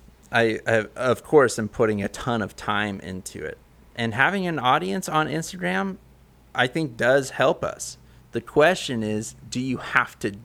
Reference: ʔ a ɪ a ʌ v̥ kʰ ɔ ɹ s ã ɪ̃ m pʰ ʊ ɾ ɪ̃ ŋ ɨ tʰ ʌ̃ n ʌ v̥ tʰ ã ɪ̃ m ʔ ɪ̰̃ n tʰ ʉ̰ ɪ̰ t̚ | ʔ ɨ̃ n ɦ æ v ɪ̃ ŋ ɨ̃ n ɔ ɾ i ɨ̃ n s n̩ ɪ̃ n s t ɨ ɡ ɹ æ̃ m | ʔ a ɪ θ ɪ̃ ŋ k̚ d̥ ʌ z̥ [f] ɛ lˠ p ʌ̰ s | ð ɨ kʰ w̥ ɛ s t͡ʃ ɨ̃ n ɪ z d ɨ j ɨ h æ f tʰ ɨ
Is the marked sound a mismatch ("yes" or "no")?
yes